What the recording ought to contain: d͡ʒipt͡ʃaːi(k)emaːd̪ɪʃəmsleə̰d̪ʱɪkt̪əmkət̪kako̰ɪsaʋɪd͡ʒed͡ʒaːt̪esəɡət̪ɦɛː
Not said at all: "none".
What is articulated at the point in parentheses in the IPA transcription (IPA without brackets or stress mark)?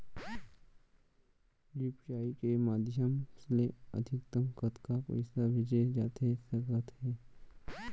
k